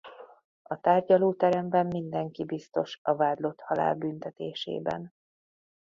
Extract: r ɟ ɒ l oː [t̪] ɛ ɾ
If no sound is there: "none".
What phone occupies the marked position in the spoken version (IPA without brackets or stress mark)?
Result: t̪